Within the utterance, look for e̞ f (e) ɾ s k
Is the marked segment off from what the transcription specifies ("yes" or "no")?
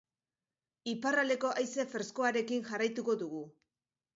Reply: no